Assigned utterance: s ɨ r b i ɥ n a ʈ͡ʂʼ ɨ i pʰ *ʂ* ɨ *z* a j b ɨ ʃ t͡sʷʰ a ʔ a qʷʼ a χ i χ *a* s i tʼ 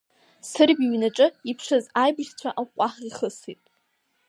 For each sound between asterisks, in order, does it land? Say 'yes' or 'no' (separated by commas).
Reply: yes, yes, no